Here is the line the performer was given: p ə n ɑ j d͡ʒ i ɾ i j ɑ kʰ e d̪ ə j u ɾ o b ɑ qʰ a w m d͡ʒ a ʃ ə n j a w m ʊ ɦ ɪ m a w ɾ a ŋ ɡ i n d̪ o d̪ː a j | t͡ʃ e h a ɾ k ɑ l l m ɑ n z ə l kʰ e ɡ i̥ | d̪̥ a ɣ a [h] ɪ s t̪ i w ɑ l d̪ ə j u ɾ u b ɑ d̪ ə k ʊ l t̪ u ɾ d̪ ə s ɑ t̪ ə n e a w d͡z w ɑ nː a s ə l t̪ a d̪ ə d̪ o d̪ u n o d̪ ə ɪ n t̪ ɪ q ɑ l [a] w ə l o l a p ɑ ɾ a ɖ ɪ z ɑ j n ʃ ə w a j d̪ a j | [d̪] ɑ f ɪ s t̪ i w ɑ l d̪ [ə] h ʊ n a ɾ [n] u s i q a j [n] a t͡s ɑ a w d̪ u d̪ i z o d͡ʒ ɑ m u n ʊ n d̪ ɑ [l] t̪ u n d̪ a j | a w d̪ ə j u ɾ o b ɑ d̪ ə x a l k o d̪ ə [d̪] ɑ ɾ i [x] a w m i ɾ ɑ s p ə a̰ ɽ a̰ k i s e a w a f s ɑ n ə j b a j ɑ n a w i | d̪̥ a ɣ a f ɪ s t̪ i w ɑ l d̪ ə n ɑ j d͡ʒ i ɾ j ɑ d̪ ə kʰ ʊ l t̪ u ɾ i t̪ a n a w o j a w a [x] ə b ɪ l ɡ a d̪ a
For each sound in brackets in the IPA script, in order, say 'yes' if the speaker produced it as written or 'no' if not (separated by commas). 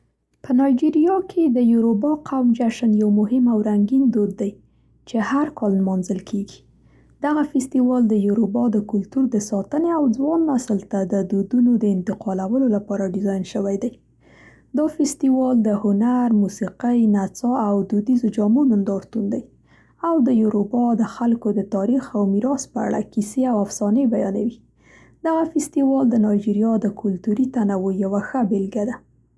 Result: no, yes, yes, yes, no, yes, no, no, yes, yes